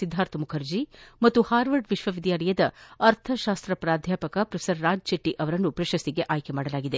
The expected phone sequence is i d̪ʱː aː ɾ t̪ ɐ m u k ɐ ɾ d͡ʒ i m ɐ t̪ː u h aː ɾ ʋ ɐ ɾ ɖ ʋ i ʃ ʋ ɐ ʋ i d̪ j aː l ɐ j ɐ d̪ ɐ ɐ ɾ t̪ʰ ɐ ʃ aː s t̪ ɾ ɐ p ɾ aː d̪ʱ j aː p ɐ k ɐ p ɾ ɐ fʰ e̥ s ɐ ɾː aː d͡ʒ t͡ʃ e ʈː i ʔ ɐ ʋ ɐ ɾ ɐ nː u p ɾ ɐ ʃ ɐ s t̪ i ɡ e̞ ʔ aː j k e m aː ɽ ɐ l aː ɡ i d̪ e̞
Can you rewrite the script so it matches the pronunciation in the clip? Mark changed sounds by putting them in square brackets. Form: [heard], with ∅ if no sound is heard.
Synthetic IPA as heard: i d̪ʱː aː ɾ t̪ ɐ m u [kʰ] ɐ ɾ d͡ʒ i m ɐ t̪ː u h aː ɾ ʋ ɐ ɾ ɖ ʋ i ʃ ʋ ɐ ʋ i d̪ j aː l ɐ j ɐ d̪ ɐ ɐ ɾ t̪ʰ ɐ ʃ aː s t̪ ɾ ɐ p ɾ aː d̪ʱ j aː p ɐ k ɐ p ɾ ɐ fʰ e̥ s ɐ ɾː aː d͡ʒ t͡ʃ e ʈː i ʔ ɐ ʋ ɐ ɾ ɐ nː u p ɾ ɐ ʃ ɐ s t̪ i ɡ e̞ ʔ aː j k e m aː ɽ ɐ l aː ɡ i d̪ e̞